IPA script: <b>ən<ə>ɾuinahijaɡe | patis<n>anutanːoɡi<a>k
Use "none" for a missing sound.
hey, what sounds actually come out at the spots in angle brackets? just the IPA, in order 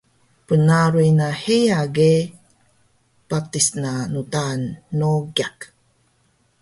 p, a, n, a

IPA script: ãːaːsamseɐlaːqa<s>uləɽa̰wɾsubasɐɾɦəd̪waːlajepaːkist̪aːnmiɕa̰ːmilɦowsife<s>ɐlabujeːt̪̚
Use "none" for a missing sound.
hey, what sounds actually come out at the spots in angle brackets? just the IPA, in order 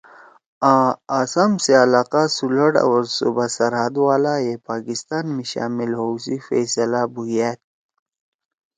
s, s

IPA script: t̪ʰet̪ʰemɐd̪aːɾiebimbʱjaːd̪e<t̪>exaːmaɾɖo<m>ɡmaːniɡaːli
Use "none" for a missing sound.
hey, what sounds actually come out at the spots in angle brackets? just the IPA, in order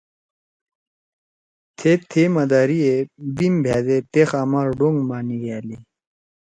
t̪, ŋ

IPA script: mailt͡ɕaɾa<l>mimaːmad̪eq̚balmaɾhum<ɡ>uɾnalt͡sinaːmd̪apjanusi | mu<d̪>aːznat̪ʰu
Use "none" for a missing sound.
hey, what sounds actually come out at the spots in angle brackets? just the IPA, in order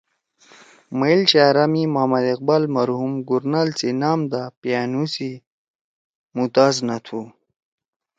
none, ɡ, t̪

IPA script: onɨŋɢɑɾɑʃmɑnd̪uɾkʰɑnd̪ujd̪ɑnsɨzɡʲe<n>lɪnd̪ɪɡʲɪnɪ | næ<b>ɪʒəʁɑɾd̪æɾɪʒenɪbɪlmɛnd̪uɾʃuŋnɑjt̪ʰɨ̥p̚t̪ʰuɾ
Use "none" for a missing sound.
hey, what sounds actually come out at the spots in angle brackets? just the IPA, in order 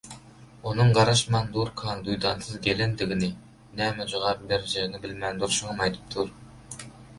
none, m

